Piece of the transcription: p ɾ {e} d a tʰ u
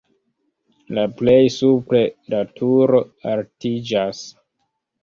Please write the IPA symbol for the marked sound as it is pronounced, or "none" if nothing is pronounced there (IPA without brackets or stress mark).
e